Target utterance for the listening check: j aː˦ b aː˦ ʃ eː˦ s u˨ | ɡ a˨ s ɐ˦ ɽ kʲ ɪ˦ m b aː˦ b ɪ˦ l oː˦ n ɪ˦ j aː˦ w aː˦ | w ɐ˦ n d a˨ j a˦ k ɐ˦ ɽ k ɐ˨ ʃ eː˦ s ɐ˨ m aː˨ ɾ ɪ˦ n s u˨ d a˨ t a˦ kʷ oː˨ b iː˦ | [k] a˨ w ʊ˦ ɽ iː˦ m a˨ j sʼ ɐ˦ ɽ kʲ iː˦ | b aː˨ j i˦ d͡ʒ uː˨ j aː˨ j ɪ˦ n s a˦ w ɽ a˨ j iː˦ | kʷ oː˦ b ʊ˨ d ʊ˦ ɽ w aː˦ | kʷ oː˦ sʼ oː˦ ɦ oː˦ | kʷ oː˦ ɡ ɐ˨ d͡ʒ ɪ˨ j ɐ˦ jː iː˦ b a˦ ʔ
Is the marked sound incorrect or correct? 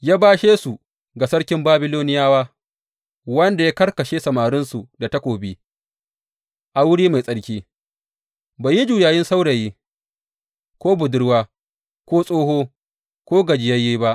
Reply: incorrect